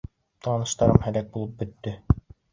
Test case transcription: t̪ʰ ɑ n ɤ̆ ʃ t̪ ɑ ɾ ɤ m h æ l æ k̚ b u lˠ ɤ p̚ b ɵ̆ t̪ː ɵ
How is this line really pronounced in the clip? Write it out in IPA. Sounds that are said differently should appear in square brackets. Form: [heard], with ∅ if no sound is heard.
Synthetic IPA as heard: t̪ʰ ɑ n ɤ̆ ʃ t̪ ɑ ɾ ɤ m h æ l æ k̚ b u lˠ ɤ p̚ b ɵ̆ t̪ː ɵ

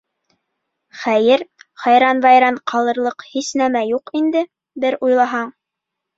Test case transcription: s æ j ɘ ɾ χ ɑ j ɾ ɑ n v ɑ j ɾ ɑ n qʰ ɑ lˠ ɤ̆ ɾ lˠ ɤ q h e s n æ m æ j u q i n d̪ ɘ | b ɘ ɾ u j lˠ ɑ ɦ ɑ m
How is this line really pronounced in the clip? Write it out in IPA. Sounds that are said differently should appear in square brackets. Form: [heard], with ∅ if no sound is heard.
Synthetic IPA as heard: [χ] æ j ɘ ɾ χ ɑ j ɾ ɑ n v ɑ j ɾ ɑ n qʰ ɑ lˠ ɤ̆ ɾ lˠ ɤ q h [i] s n æ m æ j u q i n d̪ ɘ | b ɘ ɾ u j lˠ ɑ ɦ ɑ [ɴ]

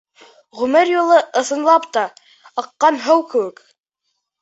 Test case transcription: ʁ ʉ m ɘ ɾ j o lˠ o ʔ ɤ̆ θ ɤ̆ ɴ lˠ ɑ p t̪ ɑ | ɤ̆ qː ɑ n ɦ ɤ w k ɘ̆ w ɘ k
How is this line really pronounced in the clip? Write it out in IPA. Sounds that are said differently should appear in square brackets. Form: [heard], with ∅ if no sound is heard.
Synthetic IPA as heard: ʁ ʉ m ɘ ɾ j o lˠ [ɤ] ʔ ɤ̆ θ ɤ̆ [n] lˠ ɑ p t̪ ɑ | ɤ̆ qː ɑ n ɦ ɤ w k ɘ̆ w ɘ k

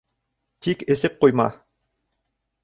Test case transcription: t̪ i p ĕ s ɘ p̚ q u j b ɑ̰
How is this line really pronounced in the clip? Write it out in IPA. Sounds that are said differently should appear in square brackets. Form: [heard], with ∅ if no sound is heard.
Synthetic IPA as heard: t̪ i [k] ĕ s ɘ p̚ q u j [m] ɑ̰

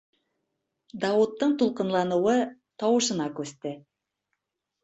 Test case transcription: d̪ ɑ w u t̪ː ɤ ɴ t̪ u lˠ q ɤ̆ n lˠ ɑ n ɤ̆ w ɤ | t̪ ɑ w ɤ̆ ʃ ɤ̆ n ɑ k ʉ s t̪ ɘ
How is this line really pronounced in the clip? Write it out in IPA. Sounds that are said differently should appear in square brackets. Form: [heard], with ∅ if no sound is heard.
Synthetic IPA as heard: d̪ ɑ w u t̪ː ɤ ɴ t̪ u lˠ q ɤ̆ n lˠ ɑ n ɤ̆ w ɤ | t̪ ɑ w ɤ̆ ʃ ɤ̆ n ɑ k ʉ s t̪ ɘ

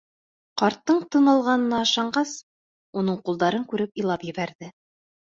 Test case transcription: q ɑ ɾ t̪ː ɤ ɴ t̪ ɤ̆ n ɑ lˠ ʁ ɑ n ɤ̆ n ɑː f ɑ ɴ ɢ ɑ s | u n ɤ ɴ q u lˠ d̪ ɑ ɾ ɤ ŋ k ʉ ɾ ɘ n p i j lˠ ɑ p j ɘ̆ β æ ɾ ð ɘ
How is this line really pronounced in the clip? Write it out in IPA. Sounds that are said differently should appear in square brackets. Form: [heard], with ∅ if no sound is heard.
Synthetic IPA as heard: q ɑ ɾ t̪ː ɤ ɴ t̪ ɤ̆ n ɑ lˠ ʁ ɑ n ɤ̆ n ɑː [ʃ] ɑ ɴ ɢ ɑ s | u n ɤ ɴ q u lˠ d̪ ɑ ɾ ɤ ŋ k ʉ ɾ ɘ [∅] p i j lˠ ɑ p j ɘ̆ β æ ɾ ð ɘ

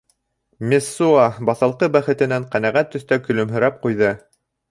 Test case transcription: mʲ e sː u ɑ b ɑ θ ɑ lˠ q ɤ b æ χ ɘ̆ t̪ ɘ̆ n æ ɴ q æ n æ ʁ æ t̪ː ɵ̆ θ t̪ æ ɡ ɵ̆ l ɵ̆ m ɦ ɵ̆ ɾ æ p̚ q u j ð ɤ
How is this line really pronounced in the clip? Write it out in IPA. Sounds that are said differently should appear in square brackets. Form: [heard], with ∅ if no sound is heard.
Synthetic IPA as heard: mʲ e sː u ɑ b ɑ θ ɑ lˠ q ɤ b æ χ ɘ̆ t̪ ɘ̆ n æ ɴ q æ n æ ʁ æ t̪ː ɵ̆ θ t̪ æ [k] ɵ̆ l ɵ̆ m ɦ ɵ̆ ɾ æ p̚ q u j ð ɤ

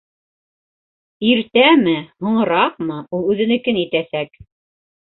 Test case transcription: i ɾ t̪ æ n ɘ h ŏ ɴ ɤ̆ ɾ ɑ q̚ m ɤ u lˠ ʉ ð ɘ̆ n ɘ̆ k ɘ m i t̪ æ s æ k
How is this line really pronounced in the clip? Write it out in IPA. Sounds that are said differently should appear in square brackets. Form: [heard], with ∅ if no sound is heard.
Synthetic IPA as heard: i ɾ t̪ æ [m] ɘ h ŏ ɴ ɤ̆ ɾ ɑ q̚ m ɤ u lˠ ʉ ð ɘ̆ n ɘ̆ k ɘ [n] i t̪ æ s æ k

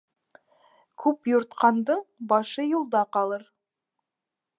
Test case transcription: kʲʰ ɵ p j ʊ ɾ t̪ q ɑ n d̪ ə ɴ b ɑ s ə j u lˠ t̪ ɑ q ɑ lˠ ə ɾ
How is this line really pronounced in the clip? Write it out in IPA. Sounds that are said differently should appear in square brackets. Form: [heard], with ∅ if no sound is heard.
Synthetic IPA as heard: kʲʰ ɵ p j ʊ ɾ t̪ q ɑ n d̪ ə ɴ b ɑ [ʃ] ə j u lˠ [d̪] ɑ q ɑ lˠ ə ɾ

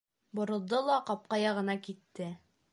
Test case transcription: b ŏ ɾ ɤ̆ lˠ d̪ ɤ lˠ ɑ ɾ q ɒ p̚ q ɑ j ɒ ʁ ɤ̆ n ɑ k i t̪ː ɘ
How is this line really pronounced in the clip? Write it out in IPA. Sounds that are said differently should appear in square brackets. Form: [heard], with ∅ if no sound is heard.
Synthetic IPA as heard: b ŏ ɾ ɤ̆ lˠ d̪ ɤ lˠ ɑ [∅] q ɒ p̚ q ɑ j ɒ ʁ ɤ̆ n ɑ k i t̪ː ɘ

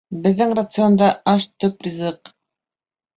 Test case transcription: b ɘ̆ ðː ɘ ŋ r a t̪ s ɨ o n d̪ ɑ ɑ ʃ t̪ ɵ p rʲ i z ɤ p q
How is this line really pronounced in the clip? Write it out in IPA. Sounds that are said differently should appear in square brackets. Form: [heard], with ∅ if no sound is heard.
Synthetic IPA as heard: b ɘ̆ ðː ɘ ŋ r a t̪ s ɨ o n d̪ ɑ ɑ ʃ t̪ ɵ p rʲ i z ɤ [∅] q

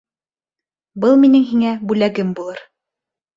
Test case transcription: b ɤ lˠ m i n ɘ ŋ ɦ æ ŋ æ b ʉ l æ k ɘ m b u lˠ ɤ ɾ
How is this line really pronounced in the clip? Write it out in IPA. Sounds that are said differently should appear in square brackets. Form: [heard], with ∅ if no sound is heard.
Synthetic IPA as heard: b ɤ lˠ m i n ɘ ŋ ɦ [i] ŋ æ b ʉ l æ [ɡ] ɘ m b u lˠ ɤ ɾ

